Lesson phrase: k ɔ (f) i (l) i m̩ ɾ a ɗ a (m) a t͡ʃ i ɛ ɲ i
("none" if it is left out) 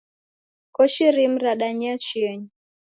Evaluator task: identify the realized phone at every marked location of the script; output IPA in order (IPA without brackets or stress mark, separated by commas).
ʃ, ɾ, ɲ